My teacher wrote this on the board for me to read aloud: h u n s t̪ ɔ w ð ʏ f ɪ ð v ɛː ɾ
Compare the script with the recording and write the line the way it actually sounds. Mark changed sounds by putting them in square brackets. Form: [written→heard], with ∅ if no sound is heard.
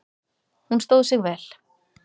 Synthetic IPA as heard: h u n s t̪ [ɔ→o] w ð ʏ [f→s] ɪ [ð→ɣ] v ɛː [ɾ→l]

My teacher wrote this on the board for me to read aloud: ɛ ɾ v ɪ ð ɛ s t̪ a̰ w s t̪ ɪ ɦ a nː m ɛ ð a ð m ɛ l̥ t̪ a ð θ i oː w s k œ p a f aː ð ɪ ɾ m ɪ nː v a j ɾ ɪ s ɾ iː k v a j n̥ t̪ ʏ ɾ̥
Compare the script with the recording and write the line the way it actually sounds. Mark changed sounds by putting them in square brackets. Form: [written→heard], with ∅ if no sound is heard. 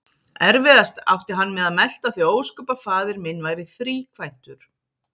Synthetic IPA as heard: ɛ ɾ v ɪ ð [ɛ→a] s t̪ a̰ w [s→h] t̪ ɪ ɦ a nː m ɛ ð a ð m ɛ l̥ t̪ a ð θ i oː w s k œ p a f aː ð ɪ ɾ m ɪ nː v a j ɾ ɪ [s→θ] ɾ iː [k→kʰ] v a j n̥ t̪ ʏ ɾ̥

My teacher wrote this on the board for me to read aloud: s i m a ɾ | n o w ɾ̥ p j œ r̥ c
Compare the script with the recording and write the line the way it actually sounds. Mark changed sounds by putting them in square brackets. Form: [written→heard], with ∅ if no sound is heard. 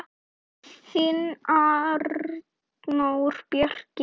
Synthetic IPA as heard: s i [m→n] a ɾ | n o w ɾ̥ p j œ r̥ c

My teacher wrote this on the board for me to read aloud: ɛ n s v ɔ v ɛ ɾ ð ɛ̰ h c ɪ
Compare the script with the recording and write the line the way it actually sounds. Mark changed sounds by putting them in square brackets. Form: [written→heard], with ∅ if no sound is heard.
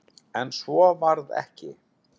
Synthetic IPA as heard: ɛ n s v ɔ v [ɛ→a] ɾ ð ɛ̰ h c ɪ

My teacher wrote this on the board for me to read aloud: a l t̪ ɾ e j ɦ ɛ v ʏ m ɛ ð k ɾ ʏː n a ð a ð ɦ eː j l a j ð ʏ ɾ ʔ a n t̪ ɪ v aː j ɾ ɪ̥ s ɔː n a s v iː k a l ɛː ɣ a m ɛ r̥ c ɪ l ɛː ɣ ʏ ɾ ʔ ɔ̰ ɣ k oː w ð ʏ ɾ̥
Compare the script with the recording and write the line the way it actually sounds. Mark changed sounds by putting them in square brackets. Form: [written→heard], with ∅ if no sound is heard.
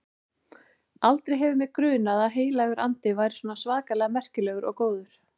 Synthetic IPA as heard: a l t̪ ɾ e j ɦ ɛ v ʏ m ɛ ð k ɾ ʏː n a ð a ð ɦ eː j l a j [ð→ɣ] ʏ ɾ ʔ a n t̪ ɪ v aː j ɾ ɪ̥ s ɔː n a s v [iː→aː] k a l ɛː ɣ a m ɛ r̥ c ɪ l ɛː ɣ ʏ ɾ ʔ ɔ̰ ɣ k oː w ð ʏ ɾ̥

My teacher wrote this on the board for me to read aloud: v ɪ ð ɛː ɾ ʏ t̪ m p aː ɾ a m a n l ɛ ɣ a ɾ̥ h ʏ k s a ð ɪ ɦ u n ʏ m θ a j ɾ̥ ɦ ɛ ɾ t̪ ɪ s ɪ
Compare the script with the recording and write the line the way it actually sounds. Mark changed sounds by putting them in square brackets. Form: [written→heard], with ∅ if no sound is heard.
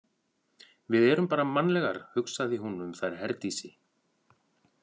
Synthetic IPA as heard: v ɪ ð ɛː ɾ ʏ [t̪→∅] m p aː ɾ a m a n l ɛ ɣ a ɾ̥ h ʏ k s a ð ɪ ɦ u n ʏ m θ a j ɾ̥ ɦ ɛ ɾ t̪ [ɪ→i] s ɪ

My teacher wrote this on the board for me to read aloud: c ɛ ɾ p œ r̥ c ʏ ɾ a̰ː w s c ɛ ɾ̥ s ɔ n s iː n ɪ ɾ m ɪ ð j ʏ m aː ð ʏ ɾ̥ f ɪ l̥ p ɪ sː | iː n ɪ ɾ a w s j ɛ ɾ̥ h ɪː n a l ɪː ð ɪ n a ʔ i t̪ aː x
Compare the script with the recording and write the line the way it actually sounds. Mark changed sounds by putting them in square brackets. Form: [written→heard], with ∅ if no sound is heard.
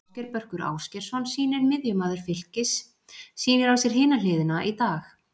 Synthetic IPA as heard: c ɛ ɾ p œ r̥ [c→k] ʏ ɾ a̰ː w s c ɛ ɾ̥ s ɔ n s iː n ɪ ɾ m ɪ ð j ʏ m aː ð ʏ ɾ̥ f ɪ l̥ [p→c] ɪ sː | iː n ɪ ɾ a w s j ɛ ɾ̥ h ɪː n a l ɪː ð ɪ n a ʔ i t̪ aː x

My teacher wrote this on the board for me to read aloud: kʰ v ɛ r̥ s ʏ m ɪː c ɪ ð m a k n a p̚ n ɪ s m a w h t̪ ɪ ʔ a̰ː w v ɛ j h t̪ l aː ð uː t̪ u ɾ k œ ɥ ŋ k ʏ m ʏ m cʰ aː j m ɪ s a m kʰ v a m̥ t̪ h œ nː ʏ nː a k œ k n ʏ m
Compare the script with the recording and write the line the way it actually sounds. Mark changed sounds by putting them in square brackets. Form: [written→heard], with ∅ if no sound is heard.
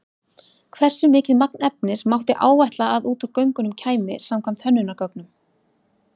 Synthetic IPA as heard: kʰ v ɛ r̥ s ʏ m ɪː c ɪ ð m a k n [a→ɛ] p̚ n ɪ s m a w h t̪ ɪ ʔ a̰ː w v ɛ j h t̪ l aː ð uː t̪ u ɾ k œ ɥ ŋ k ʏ [m→n] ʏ m cʰ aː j m ɪ s a m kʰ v a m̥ t̪ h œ nː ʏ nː a k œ k n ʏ m

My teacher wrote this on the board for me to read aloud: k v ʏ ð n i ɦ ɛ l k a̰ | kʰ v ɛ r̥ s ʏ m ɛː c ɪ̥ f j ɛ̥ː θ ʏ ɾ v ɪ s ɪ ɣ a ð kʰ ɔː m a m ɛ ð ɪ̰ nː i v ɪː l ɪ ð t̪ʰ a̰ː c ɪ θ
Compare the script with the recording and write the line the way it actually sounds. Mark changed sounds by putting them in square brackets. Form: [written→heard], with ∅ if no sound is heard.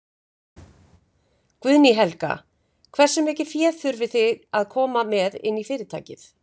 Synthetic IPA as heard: k v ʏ ð n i ɦ ɛ l k a̰ | kʰ v ɛ r̥ s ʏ m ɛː c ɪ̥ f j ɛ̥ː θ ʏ ɾ v ɪ [s→θ] ɪ ɣ a ð kʰ ɔː m a m ɛ ð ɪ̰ nː i [v→f] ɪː [l→ɾ] ɪ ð t̪ʰ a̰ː c ɪ θ

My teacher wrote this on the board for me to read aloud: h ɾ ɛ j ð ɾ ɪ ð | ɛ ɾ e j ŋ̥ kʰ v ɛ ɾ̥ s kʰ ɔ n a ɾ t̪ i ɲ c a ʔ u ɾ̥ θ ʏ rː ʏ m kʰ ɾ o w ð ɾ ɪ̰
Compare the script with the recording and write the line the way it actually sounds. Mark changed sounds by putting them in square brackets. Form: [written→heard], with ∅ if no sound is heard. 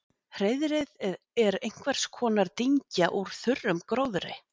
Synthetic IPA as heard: h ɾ [ɛ→e] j ð ɾ ɪ ð | ɛ ɾ e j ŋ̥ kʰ v ɛ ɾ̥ s kʰ [ɔ→ɔː] n a ɾ t̪ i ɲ c a ʔ u ɾ̥ θ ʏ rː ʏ m [kʰ→k] ɾ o w ð ɾ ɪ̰

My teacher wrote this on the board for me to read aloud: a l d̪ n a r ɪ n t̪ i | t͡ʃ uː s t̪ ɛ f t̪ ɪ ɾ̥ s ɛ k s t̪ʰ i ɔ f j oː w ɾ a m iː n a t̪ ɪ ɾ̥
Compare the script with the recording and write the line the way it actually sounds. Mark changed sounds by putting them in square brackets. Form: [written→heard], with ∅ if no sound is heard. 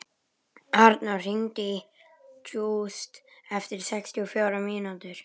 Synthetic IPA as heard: a [l→ɾ] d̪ n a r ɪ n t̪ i | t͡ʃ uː s t̪ ɛ f t̪ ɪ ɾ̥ s ɛ k s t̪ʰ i ɔ f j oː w ɾ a m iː n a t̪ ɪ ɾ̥

